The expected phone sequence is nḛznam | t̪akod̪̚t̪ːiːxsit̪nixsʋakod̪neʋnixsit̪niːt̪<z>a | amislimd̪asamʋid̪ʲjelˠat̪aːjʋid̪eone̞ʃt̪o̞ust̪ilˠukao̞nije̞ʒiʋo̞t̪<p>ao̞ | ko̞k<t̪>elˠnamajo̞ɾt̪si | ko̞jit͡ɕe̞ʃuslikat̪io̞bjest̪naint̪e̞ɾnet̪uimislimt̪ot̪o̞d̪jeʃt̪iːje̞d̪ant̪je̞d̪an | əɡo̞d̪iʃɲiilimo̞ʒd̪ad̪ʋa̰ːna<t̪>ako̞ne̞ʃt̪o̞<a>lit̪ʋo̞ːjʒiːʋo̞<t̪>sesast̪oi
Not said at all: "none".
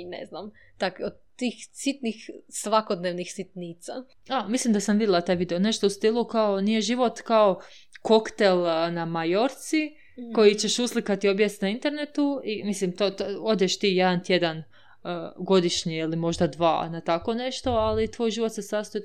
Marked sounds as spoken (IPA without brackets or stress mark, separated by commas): s, k, t̪, t̪, a, t̪